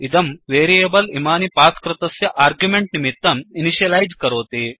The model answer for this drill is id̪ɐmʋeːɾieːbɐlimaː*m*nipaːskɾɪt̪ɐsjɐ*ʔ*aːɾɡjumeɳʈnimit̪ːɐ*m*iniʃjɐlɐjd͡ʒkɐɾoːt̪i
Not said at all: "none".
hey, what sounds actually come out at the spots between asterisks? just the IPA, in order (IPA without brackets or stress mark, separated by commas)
none, ʔ, m